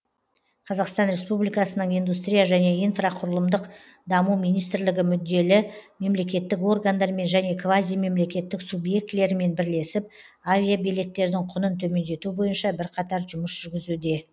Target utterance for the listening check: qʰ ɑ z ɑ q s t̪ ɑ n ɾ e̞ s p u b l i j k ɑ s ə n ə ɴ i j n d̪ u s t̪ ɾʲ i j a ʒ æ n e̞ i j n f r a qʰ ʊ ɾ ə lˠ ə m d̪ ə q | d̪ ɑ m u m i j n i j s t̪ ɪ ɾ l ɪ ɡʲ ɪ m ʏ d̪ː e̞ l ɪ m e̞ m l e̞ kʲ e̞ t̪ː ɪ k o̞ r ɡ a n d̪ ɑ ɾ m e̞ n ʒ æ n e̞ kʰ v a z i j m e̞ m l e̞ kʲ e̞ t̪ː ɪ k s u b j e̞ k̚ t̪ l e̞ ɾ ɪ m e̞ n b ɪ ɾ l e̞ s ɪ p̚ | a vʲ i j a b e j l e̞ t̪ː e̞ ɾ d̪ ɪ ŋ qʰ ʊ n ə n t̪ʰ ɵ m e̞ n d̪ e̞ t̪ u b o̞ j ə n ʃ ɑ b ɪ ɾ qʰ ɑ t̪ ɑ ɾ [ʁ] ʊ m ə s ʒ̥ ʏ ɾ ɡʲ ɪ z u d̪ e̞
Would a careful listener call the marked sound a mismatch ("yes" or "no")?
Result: yes